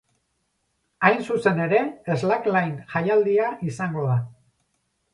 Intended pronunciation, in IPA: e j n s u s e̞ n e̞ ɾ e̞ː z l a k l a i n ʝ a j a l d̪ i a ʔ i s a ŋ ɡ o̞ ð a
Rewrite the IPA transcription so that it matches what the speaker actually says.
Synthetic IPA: a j n s u s e̞ n e̞ ɾ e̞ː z l a k l a j n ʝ a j a l d̪ i a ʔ i s a ŋ ɡ o̞ ð a